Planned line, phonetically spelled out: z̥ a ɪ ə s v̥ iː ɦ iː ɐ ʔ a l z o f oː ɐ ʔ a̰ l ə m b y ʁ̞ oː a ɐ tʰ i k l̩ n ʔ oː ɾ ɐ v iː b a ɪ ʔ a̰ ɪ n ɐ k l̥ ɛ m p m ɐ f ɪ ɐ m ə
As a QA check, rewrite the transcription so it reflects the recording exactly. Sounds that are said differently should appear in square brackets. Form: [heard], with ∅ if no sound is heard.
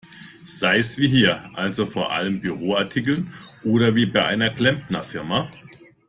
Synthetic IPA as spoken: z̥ a ɪ ə s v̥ iː ɦ iː ɐ ʔ a l z o f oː ɐ ʔ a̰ l ə m b y ʁ̞ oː a ɐ tʰ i k l̩ n ʔ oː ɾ ɐ v iː b a ɪ ʔ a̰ ɪ n ɐ k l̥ ɛ m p [n] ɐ f ɪ ɐ m [a]